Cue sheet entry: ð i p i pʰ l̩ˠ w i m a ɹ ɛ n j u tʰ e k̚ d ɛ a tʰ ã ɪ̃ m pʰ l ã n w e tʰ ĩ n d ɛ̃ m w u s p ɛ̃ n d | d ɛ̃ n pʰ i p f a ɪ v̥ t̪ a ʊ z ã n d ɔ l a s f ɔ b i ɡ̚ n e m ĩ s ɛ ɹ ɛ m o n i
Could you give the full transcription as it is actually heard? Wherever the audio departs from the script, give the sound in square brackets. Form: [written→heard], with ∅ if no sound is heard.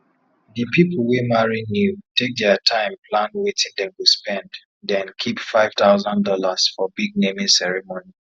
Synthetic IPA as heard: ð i p i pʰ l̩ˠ w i m a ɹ [ɛ→i] n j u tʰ e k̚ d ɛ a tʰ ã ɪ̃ m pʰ l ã n w e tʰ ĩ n d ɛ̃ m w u s p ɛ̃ n d | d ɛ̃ n [pʰ→kʰ] i p f a ɪ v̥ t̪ a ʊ z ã n d ɔ l a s f ɔ b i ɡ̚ n e m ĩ s ɛ ɹ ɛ m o n i